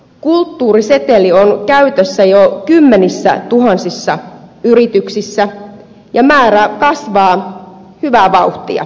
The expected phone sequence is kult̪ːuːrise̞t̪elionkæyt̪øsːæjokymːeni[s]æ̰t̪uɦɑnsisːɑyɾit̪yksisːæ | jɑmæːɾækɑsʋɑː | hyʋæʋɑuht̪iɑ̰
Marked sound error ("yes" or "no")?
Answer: yes